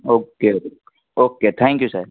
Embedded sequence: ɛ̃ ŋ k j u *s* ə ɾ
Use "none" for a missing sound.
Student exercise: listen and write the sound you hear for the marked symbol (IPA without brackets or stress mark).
s